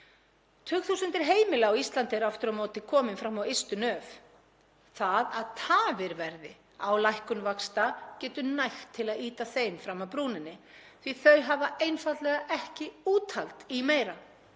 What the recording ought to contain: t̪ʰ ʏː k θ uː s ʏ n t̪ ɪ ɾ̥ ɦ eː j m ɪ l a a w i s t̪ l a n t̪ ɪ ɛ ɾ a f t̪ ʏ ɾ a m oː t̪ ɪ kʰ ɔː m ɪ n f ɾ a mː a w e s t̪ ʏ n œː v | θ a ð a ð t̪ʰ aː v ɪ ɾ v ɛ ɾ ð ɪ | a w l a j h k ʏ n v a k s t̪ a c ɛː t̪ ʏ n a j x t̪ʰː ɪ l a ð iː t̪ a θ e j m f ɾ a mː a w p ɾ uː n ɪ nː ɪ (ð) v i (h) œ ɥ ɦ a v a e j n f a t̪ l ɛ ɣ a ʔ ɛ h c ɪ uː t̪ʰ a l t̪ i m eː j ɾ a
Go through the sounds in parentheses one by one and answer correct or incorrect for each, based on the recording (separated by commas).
incorrect, incorrect